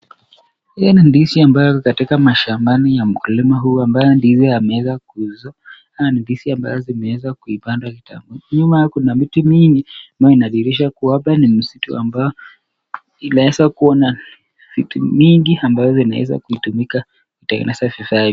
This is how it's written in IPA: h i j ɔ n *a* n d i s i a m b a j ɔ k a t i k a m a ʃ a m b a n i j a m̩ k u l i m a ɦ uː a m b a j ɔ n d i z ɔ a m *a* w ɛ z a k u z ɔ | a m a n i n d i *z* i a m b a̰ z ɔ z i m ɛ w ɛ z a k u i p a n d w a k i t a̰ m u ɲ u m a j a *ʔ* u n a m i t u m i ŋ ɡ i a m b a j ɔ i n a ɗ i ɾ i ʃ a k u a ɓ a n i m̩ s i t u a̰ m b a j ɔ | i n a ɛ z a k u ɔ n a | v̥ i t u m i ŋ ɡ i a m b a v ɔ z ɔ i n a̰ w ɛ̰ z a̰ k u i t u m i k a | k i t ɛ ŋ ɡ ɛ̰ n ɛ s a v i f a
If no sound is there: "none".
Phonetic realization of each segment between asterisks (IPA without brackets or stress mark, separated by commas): i, ɛ, s, k